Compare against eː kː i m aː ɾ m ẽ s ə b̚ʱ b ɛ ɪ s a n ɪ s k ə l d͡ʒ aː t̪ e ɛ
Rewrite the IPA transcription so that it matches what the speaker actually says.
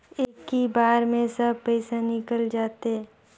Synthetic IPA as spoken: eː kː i b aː ɾ m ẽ s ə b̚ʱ p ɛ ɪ s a n ɪ k ə l d͡ʒ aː t̪ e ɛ